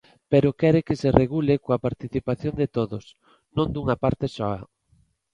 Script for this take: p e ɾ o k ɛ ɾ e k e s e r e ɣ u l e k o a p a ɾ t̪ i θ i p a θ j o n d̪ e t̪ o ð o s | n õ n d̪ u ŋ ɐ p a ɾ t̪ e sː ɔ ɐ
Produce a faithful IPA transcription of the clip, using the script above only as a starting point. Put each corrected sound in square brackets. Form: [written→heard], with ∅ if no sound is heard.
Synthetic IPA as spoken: p e ɾ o k ɛ ɾ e k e s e r e ɣ u l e k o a p a ɾ t̪ i θ i p a θ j o n d̪ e t̪ o ð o s | n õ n d̪ u ŋ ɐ p a ɾ t̪ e [sː→s] ɔ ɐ

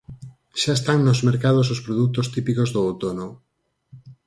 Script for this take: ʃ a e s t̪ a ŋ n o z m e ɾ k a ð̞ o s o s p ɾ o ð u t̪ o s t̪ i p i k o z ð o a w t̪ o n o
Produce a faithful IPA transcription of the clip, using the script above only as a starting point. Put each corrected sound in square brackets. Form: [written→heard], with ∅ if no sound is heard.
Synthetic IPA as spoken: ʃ a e s t̪ a ŋ n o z m e ɾ k a ð̞ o s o s p ɾ o ð u t̪ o s t̪ i p i k o z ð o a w t̪ o n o

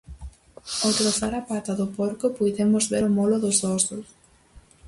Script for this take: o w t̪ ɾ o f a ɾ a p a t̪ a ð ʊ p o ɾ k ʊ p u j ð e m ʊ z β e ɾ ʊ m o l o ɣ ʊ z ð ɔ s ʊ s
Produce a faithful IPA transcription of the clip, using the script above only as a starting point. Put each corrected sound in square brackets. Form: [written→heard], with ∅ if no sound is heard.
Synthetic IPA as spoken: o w t̪ ɾ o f a ɾ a p a t̪ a ð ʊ p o ɾ k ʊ p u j ð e m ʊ z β e ɾ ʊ m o l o [ɣ→ð] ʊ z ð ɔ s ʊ s

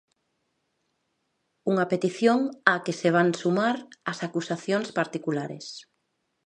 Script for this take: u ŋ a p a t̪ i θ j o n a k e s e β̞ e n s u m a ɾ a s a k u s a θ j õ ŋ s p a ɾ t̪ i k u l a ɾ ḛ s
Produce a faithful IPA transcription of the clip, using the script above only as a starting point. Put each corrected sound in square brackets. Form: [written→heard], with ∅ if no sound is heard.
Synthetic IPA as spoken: u ŋ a p [a→e] t̪ i θ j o [n→ŋ] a k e s e β̞ [e→a] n s u m a ɾ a s a k u s a θ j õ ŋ s p a ɾ t̪ i k u l a ɾ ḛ s

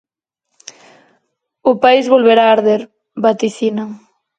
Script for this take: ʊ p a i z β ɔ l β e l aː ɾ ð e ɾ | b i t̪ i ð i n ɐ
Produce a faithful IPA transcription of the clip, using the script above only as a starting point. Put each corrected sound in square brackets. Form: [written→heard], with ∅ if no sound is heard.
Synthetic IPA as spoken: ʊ p a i z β [ɔ→o] l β e [l→ɾ] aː ɾ ð e ɾ | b [i→a] t̪ i [ð→θ] i n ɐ

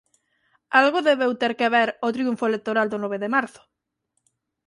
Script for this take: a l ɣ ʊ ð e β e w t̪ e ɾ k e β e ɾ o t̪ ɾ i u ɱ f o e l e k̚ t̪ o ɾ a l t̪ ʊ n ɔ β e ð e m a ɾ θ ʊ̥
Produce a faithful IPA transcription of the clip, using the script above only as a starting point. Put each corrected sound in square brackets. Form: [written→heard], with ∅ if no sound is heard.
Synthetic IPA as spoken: a l ɣ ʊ ð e β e w t̪ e ɾ k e β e ɾ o t̪ ɾ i u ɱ f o e l e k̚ t̪ o ɾ a l [t̪→d̪] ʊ n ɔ β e ð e m a ɾ θ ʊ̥

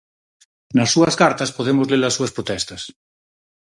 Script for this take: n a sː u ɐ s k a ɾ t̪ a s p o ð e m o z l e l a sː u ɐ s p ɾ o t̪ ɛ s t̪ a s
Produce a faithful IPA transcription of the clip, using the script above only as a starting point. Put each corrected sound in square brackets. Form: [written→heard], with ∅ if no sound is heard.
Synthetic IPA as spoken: n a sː u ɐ s k a ɾ t̪ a s p o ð e m o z l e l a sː u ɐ s p ɾ o t̪ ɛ s t̪ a s

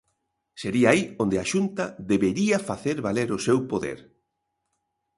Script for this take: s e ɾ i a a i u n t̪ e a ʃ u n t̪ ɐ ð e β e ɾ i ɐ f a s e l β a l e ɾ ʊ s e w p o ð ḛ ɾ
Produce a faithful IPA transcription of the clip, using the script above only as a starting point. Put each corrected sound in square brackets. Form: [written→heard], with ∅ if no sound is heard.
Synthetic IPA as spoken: s e ɾ i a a i [u→o] n [t̪→d̪] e a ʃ u n t̪ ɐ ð e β e ɾ i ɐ f a [s→θ] e [l→ɾ] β a l e ɾ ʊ s e w p o ð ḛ ɾ

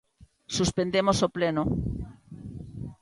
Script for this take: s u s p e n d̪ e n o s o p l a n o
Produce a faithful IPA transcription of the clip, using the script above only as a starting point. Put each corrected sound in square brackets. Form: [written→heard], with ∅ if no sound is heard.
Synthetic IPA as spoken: s u s p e n d̪ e [n→m] o s o p l [a→e] n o

